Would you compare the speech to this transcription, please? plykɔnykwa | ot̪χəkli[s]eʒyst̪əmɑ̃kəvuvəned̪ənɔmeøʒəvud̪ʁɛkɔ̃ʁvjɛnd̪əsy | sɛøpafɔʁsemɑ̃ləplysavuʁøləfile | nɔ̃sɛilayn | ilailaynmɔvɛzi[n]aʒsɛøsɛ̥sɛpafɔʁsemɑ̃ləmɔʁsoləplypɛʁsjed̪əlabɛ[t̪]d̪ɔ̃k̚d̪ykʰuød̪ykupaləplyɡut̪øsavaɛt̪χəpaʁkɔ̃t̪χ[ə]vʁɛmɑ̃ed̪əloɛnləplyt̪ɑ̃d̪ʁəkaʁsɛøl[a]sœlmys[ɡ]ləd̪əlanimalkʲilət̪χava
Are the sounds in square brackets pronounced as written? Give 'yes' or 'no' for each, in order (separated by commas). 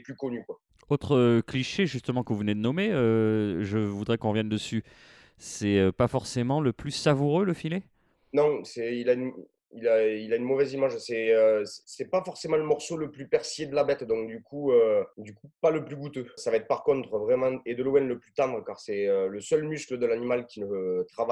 no, no, yes, yes, no, no